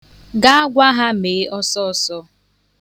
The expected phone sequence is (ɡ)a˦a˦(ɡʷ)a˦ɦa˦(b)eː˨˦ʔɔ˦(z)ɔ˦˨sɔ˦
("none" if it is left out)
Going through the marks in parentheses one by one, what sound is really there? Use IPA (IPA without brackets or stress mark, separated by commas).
ɡ, ɡʷ, m, s